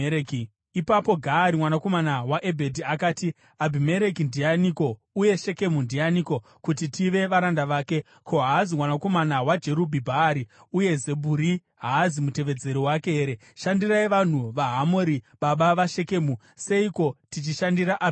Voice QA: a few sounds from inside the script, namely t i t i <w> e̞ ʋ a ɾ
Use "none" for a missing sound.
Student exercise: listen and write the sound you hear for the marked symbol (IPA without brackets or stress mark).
ʋ